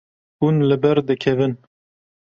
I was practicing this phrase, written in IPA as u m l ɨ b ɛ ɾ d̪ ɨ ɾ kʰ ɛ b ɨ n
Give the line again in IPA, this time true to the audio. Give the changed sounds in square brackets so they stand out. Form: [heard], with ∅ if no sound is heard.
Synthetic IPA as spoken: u [n] l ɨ b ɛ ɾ d̪ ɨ [∅] kʰ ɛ [v] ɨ n